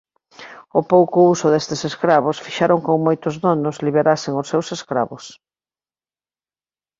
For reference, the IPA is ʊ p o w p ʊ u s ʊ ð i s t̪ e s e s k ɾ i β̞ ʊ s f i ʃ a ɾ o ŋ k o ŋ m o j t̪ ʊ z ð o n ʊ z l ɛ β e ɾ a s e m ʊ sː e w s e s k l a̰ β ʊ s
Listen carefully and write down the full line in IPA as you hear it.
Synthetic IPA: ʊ p o w k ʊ u s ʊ ð e s t̪ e s e s k ɾ a β̞ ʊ s f i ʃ a ɾ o ŋ k o ŋ m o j t̪ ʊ z ð o n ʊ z l i β e ɾ a s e ŋ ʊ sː e w s e s k ɾ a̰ β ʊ s

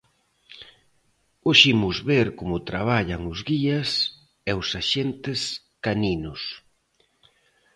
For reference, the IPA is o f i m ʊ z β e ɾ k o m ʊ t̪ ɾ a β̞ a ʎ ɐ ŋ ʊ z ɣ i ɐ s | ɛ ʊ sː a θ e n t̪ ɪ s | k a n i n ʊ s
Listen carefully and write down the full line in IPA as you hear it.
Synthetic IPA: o ʃ i m ʊ z β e ɾ k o m ʊ t̪ ɾ a β̞ a ʎ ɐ ŋ ʊ z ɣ i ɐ s | ɛ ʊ s a ʃ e n t̪ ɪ s | k a n i n ʊ s

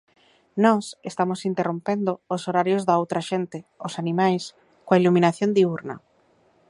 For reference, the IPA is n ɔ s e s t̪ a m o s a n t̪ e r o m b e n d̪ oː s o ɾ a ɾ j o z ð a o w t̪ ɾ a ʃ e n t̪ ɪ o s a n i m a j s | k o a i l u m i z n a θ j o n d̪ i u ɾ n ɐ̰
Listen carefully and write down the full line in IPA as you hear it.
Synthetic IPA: n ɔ s e s t̪ a m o s i n t̪ e r o m p e n d̪ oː s o ɾ a ɾ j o z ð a o w t̪ ɾ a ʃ e n t̪ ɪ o s a n i m a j s | k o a i l u m i n a θ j o n d̪ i u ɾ n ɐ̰

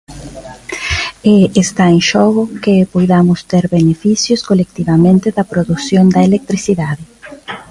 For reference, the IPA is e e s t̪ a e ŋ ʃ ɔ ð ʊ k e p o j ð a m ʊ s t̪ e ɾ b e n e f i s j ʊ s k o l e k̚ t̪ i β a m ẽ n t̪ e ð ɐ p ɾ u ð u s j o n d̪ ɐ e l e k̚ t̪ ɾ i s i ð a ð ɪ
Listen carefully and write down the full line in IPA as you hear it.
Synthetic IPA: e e s t̪ a e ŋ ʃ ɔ ɣ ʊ k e p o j ð a m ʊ s t̪ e ɾ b e n e f i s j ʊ s k o l e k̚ t̪ i β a m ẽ n t̪ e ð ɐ p ɾ o ð u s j o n d̪ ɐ e l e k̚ t̪ ɾ i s i ð a ð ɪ

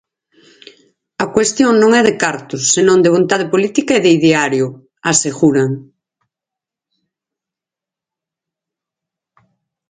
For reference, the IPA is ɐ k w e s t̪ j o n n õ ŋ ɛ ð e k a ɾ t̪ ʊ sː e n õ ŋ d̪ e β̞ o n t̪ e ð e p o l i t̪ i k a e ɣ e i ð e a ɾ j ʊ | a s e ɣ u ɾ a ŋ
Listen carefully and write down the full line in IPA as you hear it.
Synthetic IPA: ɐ k w e s t̪ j o ŋ n õ ŋ ɛ ð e k a ɾ t̪ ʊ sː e n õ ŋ d̪ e β̞ o n t̪ a ð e p o l i t̪ i k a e ð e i ð e a ɾ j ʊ | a s e ɣ u ɾ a ŋ

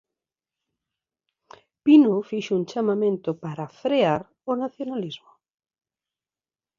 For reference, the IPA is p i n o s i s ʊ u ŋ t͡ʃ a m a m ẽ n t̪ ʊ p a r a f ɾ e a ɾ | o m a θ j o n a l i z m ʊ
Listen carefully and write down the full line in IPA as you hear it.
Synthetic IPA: p i n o f i ʃ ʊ u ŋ t͡ʃ a m a m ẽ n t̪ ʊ p a ɾ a f ɾ e a ɾ | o n a θ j o n a l i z m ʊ

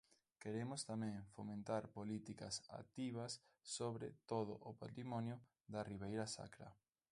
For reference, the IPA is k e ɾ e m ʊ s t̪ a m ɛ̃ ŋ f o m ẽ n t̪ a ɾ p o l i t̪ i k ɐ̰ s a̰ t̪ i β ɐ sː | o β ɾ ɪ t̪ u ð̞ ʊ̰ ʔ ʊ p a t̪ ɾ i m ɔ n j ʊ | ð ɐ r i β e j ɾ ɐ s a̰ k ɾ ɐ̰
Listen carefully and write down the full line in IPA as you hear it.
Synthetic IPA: k e ɾ e m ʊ s t̪ a m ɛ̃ ŋ f o m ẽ n t̪ a ɾ p o l i t̪ i k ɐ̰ s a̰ t̪ i β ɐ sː | o β ɾ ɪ t̪ o ð̞ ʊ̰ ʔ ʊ p a t̪ ɾ i m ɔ n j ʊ | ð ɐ r i β e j ɾ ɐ s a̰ k ɾ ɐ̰

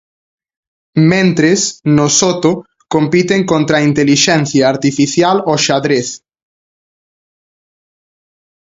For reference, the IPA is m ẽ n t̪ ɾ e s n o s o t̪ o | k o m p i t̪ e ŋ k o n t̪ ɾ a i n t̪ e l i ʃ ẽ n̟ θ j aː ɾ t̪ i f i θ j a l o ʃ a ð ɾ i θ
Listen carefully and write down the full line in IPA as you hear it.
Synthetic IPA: m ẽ n t̪ ɾ e s n o s o t̪ o | k o m p i t̪ e ŋ k o n t̪ ɾ a i n t̪ e l i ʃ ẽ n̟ θ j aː ɾ t̪ i f i θ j a l o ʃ a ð ɾ e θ

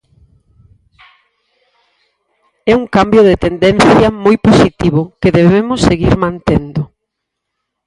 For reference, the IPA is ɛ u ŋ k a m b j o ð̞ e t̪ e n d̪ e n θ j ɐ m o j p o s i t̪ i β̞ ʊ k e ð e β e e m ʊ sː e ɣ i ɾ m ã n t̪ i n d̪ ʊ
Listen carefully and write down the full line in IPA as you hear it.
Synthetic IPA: ɛ u ŋ k a m b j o ð̞ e t̪ e n d̪ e n θ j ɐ m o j p o s i t̪ i β̞ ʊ k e ð e β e e m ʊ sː e ɣ i ɾ m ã n t̪ e n d̪ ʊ

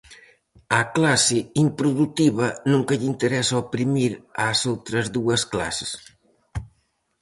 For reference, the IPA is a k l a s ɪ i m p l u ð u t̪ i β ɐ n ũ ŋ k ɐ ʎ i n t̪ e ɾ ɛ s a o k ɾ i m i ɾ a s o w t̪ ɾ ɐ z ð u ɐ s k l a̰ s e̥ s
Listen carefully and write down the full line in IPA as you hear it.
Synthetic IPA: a k l a s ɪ i m p ɾ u ð u t̪ i β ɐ n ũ ŋ k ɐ ʎ i n t̪ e ɾ ɛ s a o p ɾ i m i ɾ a s o w t̪ ɾ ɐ z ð u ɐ s k l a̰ s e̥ s

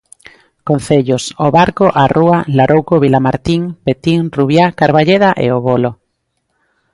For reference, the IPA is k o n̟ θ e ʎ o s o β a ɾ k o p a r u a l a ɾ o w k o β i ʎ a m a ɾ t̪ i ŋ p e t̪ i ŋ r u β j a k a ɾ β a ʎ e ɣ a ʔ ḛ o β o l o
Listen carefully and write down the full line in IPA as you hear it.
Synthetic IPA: k o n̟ θ e ʎ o s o β a ɾ k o ʔ a r u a l a ɾ o w k o β i l a m a ɾ t̪ i ŋ p e t̪ i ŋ r u β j a k a ɾ β a ʎ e ð a ʔ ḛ o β o l o

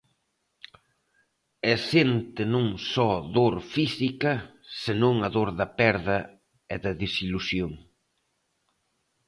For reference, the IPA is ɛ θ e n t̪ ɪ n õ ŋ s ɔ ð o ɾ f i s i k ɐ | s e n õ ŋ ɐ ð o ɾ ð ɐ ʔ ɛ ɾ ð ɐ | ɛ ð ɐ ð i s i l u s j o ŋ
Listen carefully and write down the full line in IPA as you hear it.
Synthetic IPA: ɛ s e n t̪ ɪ n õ ŋ s ɔ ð o ɾ f i s i k ɐ | s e n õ ŋ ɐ ð o ɾ ð ɐ p ɛ ɾ ð ɐ | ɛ ð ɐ ð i s i l u s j o ŋ

